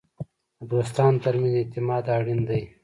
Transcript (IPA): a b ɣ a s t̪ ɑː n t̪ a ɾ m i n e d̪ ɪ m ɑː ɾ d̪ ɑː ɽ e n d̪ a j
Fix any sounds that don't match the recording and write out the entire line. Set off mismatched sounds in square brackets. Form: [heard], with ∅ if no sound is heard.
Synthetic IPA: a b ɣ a s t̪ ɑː n t̪ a ɾ m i n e [t̪] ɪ m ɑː [∅] d̪ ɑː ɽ [i] n d̪ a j